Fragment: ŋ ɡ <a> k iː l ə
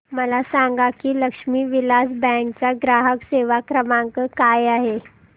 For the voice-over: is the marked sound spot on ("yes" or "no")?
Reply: yes